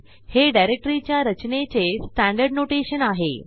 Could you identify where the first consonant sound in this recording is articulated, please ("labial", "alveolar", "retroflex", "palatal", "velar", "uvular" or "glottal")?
glottal